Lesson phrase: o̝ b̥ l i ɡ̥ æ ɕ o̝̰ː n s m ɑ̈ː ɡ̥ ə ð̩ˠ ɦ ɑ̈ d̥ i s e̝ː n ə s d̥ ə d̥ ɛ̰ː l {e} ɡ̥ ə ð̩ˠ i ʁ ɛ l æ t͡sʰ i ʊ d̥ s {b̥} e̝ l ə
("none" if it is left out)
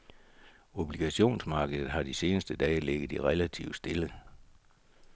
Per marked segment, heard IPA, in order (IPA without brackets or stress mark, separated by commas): e, d̥